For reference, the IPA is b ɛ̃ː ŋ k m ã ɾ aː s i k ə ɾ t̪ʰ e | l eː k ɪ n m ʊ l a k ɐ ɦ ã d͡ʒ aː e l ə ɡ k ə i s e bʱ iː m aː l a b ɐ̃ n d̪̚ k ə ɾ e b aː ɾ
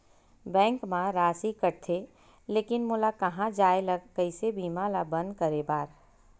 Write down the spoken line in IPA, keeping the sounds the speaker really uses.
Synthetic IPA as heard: b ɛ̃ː ŋ k m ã ɾ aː s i k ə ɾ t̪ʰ e | l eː k ɪ n m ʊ l a k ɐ ɦ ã d͡ʒ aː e l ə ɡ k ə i s e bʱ iː m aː l a b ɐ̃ n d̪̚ k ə ɾ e b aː ɾ